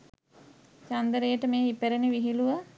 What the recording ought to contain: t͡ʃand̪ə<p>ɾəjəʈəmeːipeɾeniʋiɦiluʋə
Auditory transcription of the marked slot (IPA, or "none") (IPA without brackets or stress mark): none